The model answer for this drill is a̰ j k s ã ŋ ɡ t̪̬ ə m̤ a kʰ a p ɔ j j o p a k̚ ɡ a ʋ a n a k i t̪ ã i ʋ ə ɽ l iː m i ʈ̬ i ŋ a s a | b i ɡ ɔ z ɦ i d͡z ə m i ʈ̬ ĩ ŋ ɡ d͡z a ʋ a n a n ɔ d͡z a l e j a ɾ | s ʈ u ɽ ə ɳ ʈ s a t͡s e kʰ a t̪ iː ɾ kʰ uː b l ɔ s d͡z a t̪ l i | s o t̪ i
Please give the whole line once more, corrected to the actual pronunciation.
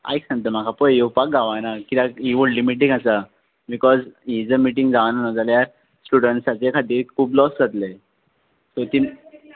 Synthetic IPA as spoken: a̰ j k s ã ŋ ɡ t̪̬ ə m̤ a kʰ a p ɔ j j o p a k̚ ɡ a ʋ a n a k i t̪ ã i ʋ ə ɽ l i m i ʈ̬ i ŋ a s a | b i k ɔ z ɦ i d͡z ə m i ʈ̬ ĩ ŋ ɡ d͡z a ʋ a n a n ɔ d͡z a l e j a ɾ | s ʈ u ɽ ə ɳ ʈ s a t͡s e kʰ a t̪ iː ɾ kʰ uː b l ɔ s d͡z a t̪ l e | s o t̪ i